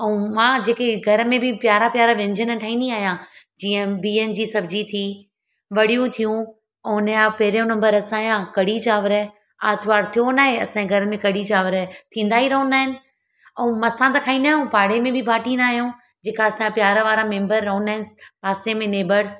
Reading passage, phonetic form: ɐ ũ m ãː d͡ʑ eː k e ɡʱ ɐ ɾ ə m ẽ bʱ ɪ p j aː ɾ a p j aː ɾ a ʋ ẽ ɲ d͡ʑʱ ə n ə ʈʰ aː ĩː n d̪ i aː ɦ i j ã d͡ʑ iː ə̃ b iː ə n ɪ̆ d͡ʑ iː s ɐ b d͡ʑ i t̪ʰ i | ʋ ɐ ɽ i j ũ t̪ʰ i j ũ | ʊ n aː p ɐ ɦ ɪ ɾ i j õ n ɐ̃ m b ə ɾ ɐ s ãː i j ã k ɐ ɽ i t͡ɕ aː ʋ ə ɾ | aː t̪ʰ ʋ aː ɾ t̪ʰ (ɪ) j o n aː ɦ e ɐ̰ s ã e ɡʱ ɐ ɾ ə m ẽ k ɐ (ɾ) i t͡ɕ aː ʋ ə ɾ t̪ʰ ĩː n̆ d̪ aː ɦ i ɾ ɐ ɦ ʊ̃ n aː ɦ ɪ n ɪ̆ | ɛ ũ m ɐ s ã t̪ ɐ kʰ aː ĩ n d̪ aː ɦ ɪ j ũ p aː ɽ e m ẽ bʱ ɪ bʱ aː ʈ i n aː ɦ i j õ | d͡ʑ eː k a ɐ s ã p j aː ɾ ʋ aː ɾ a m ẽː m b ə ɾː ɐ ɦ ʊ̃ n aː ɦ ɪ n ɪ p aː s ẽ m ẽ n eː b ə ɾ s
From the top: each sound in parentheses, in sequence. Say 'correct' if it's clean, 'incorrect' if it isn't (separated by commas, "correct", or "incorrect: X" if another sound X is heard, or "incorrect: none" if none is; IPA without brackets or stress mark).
incorrect: i, incorrect: ɽ